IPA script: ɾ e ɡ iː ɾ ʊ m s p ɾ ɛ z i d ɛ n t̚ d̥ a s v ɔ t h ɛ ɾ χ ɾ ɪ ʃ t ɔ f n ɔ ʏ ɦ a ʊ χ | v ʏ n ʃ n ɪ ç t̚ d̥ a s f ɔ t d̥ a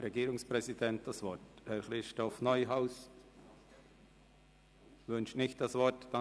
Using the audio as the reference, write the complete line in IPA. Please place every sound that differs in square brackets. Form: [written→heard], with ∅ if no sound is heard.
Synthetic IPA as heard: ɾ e ɡ iː ɾ ʊ [m→ŋ] s p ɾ ɛ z i d ɛ n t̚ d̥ a s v ɔ t h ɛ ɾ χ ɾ ɪ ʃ t ɔ f n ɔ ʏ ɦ a ʊ [χ→s] | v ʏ n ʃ n ɪ ç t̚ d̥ a s [f→v] ɔ t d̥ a

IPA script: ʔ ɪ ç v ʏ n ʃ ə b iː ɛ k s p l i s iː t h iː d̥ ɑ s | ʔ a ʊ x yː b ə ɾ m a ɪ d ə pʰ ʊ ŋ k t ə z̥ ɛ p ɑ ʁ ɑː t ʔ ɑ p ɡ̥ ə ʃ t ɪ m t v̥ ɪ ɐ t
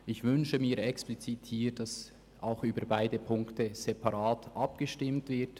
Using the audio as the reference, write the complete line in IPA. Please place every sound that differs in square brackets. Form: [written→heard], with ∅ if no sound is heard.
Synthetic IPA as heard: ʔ ɪ ç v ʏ n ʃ ə [b→m] iː ɛ k s p l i [s→t͡s] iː t h iː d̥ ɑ s | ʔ a ʊ x yː b ə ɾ [m→b] a ɪ d ə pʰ ʊ ŋ k t ə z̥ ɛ p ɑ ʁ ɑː t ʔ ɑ p ɡ̥ ə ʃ t ɪ m t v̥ ɪ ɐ t

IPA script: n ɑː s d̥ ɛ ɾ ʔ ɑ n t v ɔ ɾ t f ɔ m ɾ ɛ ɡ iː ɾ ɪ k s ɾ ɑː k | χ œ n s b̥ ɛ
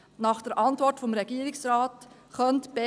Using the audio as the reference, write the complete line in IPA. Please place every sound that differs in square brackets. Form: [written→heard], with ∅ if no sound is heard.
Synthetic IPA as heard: n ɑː [s→χ] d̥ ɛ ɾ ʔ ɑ n t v ɔ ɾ t f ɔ m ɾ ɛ ɡ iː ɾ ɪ k s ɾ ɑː [k→t] | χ œ n [s→t] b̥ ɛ

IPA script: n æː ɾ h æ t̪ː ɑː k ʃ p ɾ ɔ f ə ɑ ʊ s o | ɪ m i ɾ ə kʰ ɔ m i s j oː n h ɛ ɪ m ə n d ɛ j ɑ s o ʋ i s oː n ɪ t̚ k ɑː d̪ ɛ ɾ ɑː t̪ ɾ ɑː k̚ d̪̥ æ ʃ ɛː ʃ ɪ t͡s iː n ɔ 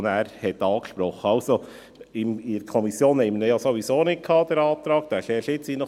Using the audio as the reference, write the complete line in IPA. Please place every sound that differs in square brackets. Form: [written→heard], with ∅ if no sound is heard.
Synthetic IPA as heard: n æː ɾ h [æ→ɛ] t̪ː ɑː k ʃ p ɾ ɔ [f→χ] ə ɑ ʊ s o | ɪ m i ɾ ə kʰ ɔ m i s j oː n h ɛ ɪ m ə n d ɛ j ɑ s o ʋ i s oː n ɪ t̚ [k→kʰ] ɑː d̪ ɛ ɾ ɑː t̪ ɾ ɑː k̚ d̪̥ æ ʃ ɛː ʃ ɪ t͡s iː n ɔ

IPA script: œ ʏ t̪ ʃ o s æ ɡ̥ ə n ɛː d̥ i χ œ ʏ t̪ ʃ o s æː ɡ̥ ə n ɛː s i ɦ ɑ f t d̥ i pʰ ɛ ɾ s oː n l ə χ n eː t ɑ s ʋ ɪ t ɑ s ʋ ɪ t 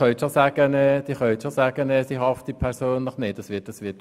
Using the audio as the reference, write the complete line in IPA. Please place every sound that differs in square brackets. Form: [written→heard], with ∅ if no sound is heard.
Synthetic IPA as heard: œ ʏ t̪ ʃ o s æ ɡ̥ ə n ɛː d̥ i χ œ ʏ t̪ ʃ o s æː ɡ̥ ə n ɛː s i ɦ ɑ f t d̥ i pʰ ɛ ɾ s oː n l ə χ n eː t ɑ s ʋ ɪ t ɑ s ʋ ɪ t

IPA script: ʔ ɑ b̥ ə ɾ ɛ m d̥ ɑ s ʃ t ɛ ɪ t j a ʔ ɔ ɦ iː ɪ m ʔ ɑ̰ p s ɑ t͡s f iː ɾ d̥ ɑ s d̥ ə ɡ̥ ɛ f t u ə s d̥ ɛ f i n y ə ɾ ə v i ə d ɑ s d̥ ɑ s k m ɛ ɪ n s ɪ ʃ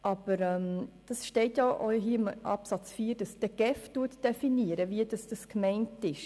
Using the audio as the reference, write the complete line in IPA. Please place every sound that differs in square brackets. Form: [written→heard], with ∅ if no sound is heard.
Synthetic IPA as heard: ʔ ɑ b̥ ə ɾ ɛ m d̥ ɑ s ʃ t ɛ ɪ t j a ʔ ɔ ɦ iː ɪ m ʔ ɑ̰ p s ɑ t͡s f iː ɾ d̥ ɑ s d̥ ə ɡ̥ ɛ f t u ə [s→t] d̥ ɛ f i n [y→i] ə ɾ ə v i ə d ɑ s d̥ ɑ s k m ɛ ɪ n [s→t] ɪ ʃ

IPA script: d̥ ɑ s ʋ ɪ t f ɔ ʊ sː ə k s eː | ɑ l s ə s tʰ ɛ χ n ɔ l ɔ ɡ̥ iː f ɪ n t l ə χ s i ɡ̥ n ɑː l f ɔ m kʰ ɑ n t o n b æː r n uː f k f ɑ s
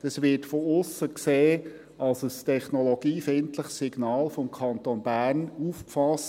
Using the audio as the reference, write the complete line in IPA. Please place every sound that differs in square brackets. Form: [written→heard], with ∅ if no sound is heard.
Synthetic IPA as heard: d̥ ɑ s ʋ ɪ t f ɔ ʊ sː ə k s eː | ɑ l s ə s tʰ ɛ χ n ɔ l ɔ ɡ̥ iː f ɪ n t l ə χ s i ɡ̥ n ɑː l f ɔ m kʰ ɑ n t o n b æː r n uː f k f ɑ s

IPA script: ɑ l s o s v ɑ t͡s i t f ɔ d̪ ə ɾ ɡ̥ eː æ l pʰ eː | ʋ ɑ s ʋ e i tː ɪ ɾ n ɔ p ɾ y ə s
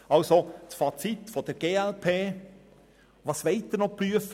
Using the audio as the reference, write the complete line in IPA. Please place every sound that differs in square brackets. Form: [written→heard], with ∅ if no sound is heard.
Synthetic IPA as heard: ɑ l s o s [v→f] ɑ t͡s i t f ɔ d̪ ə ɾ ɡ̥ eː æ l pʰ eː | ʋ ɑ s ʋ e [i→ɪ] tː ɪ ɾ n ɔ p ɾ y ə [s→f]

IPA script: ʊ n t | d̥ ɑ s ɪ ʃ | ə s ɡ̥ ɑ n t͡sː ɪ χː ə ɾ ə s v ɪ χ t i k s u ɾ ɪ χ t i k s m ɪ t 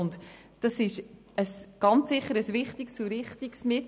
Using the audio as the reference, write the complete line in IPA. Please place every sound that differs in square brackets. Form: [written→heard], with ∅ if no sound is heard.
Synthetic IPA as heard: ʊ n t | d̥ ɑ s ɪ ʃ | ə s ɡ̥ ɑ n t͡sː ɪ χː ə ɾ ə s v ɪ χ t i k s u ɾ ɪ χ t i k s m ɪ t

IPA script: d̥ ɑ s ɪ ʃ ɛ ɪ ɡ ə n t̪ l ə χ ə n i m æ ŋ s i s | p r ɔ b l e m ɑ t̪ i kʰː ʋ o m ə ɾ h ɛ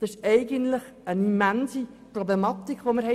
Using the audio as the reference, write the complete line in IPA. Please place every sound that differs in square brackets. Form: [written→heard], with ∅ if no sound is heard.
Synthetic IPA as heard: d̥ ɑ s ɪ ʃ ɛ ɪ ɡ ə n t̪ l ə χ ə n i m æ [ŋ→n] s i [s→∅] | p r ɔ b l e m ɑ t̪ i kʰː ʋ o m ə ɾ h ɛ

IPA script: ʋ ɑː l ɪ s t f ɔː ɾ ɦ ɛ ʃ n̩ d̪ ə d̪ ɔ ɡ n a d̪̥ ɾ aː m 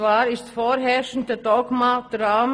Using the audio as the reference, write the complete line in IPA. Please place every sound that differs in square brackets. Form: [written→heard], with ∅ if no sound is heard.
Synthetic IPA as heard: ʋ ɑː [l→ɾ] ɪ s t f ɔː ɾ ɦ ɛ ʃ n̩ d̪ ə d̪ ɔ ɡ [n→m] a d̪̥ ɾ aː m

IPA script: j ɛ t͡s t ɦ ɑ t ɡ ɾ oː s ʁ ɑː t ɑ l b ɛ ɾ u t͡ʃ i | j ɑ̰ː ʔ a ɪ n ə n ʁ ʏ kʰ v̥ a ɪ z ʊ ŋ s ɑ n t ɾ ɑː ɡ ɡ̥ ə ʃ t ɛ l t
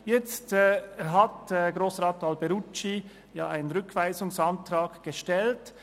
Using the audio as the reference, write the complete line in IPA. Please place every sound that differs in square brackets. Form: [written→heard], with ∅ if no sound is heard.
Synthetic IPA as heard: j ɛ t͡s t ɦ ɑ t ɡ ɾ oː s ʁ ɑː t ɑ l b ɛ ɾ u t͡ʃ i | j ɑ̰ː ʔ a ɪ n ə n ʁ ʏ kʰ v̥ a ɪ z ʊ ŋ s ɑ n t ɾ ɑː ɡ ɡ̥ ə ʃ t ɛ l t

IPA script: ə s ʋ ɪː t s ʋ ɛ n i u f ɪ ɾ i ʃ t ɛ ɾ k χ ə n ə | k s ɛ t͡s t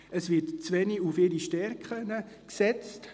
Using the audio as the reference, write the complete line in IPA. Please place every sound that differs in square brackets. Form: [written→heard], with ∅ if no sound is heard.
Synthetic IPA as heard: ə s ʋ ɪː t [s→t͡s] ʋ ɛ n i u f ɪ ɾ i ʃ t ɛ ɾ k χ ə n ə | k s ɛ t͡s t

